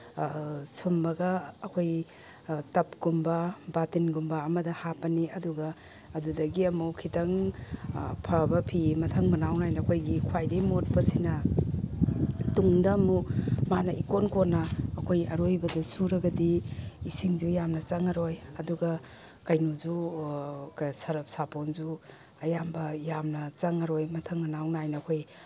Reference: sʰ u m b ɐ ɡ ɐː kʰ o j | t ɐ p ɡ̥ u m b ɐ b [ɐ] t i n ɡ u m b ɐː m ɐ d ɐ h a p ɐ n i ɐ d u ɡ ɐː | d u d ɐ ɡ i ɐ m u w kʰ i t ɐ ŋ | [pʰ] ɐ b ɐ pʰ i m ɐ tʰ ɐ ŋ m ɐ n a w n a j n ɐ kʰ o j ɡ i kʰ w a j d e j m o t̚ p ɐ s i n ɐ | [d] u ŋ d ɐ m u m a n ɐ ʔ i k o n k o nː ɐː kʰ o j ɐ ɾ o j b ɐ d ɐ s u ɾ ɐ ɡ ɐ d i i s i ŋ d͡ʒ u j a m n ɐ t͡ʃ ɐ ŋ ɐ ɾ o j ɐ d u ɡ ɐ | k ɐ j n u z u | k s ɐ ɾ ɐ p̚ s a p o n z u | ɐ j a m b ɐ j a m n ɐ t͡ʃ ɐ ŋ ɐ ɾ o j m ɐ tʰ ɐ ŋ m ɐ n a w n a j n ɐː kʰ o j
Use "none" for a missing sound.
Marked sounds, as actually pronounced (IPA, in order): a, pʰ, t

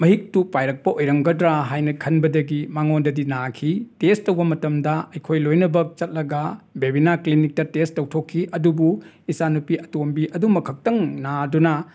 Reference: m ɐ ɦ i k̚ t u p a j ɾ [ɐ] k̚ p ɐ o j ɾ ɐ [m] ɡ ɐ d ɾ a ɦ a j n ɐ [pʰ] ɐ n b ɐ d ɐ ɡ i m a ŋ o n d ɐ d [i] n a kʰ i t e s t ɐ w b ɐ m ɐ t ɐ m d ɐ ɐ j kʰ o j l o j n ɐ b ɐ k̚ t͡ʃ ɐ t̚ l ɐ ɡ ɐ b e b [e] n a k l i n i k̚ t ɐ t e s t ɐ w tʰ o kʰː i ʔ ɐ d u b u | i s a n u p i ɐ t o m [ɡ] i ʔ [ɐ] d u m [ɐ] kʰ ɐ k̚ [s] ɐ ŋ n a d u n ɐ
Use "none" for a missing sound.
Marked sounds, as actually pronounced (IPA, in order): ɐ, ŋ, kʰ, i, i, b, ɐ, ɐ, t

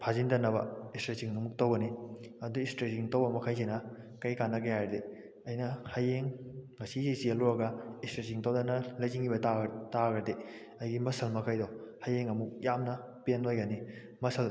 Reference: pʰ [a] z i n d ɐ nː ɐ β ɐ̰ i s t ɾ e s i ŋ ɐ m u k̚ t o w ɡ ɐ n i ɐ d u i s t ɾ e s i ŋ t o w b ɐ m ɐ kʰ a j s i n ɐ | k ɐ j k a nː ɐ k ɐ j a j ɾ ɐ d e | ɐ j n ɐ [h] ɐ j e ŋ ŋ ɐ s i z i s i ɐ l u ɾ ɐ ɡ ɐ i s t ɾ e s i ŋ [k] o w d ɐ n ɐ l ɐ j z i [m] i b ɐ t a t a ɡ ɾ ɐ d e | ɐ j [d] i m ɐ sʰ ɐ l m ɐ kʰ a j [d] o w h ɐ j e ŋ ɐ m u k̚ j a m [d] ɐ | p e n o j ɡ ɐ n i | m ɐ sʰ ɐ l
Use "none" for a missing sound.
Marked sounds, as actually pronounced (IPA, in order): a, h, t, ŋ, ɡ, d, n

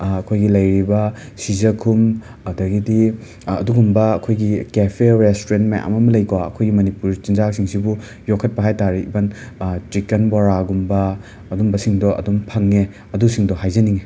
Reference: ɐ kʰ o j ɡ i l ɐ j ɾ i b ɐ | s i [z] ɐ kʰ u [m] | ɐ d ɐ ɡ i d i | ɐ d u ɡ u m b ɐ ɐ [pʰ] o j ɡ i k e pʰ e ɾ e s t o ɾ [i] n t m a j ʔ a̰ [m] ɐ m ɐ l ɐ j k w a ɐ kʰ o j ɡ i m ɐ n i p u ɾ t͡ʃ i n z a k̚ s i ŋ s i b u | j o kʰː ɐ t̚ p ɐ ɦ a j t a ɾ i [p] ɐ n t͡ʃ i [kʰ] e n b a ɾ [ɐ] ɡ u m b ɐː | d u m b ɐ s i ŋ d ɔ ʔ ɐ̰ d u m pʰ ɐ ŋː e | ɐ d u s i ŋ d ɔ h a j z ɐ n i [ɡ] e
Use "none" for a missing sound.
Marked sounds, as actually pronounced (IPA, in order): z, m, kʰ, e, m, b, k, a, ŋ

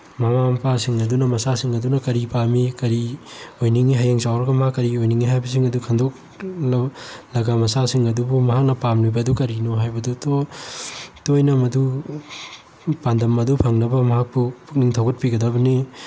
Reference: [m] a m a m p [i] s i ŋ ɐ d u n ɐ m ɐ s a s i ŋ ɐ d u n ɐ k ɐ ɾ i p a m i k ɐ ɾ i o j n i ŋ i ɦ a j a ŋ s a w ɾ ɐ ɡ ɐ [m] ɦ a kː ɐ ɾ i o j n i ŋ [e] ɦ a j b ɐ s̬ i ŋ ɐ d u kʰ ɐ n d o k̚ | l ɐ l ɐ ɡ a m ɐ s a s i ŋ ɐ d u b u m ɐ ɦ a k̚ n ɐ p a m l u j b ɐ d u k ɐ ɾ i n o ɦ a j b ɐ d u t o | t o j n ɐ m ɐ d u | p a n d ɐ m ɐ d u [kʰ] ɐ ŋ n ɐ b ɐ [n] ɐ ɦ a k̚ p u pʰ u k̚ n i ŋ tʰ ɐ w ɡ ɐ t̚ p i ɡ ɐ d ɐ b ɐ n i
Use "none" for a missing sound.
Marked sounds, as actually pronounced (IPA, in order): m, a, m, i, pʰ, m

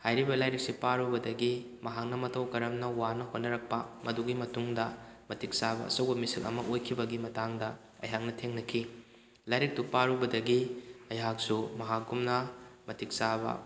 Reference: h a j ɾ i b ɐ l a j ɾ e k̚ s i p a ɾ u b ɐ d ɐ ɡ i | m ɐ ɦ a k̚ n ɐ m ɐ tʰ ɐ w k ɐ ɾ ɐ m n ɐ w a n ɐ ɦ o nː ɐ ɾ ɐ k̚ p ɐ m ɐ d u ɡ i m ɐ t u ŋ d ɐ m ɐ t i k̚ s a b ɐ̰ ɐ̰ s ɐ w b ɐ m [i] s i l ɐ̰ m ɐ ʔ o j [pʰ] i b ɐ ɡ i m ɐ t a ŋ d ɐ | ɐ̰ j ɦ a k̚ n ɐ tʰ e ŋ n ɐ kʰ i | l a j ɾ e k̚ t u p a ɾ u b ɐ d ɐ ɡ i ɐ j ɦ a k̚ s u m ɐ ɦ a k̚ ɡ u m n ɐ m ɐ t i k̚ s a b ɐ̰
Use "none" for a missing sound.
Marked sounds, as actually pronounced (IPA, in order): i, kʰ

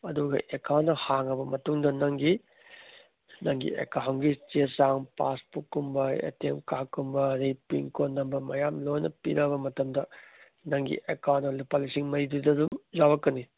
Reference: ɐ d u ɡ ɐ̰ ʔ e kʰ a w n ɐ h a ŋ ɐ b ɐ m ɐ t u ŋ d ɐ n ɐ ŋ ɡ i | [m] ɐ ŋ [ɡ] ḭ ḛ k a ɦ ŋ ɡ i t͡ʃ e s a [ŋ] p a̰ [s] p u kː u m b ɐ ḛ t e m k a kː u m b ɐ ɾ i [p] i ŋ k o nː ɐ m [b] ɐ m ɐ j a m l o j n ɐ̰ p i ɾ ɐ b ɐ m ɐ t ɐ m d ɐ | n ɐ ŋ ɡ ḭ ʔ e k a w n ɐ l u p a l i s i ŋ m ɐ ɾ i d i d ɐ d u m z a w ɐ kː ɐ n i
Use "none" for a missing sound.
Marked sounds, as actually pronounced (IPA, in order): n, ɡ, ŋ, s, p, b

